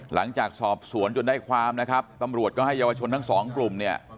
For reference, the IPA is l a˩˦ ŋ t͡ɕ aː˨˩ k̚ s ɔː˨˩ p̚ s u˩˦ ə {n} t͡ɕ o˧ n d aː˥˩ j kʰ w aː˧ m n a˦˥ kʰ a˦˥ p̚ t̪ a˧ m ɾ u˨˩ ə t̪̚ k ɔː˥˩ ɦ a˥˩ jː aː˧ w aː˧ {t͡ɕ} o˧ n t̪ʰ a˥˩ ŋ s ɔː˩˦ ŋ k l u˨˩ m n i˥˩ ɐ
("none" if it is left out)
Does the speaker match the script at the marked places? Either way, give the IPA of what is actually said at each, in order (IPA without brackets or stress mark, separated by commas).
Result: n, t͡ɕʰ